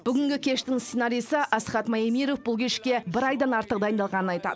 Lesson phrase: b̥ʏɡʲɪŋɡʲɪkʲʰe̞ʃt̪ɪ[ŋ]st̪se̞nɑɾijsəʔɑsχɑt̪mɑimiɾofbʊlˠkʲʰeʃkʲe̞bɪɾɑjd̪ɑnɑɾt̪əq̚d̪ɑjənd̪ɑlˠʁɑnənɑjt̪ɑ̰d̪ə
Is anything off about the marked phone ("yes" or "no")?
no